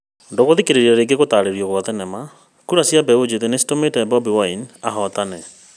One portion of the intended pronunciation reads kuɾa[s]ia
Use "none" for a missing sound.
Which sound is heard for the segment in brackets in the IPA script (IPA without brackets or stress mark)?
s